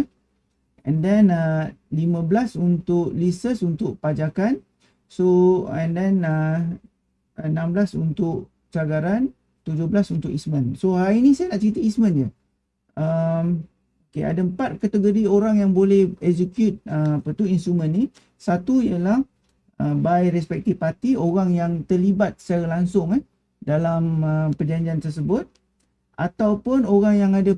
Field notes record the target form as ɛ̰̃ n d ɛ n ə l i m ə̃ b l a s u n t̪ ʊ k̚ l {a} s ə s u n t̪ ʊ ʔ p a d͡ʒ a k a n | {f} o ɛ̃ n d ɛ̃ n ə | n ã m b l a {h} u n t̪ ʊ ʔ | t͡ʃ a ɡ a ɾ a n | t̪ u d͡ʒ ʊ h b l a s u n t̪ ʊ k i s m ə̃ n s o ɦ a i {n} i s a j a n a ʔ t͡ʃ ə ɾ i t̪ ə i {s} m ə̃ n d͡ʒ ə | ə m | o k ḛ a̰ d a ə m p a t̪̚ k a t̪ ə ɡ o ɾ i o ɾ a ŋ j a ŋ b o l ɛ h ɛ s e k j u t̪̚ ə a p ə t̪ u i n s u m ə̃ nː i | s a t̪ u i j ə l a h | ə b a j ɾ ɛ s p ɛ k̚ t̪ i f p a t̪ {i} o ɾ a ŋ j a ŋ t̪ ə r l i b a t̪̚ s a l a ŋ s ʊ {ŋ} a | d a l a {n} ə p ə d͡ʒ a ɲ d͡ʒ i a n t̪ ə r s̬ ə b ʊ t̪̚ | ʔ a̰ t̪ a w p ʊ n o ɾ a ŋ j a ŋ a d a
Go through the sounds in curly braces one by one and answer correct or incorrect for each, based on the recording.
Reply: incorrect: i, incorrect: s, incorrect: s, correct, correct, correct, correct, incorrect: m

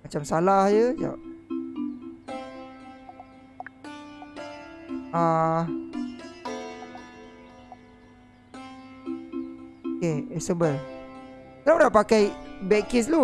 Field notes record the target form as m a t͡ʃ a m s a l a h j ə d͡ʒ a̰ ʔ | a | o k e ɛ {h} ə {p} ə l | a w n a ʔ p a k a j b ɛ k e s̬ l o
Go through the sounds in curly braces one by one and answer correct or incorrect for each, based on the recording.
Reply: incorrect: s, incorrect: b

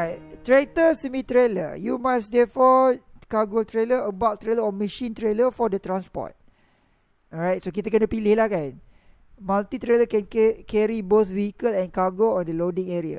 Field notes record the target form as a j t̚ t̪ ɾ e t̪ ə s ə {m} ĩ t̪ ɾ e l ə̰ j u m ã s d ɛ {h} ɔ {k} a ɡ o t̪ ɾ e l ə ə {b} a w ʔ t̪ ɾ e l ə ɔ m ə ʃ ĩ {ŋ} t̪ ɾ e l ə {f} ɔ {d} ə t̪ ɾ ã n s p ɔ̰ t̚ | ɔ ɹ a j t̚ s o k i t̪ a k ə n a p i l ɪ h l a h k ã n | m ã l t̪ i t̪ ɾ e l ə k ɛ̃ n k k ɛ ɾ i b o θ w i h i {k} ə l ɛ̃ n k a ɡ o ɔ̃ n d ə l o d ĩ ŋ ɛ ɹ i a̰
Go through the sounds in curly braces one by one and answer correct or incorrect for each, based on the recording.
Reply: correct, incorrect: f, correct, correct, incorrect: n, correct, correct, correct

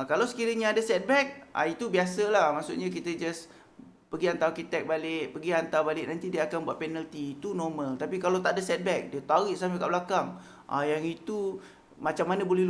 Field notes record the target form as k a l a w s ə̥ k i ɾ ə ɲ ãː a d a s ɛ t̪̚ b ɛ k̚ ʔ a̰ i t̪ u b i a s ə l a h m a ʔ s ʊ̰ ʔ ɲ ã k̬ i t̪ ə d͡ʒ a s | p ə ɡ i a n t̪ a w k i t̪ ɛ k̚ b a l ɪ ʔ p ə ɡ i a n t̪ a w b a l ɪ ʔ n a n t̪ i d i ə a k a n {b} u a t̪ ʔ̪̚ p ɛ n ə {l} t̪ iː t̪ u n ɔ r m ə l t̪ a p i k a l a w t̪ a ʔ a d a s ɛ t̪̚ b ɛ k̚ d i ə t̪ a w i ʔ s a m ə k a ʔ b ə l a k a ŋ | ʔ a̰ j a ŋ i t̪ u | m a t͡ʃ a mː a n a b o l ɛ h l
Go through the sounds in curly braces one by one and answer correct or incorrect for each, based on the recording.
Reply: correct, correct

